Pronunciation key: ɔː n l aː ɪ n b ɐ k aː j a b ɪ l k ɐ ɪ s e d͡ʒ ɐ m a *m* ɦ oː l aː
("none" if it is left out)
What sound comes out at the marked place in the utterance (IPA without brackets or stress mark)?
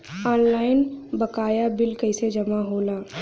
none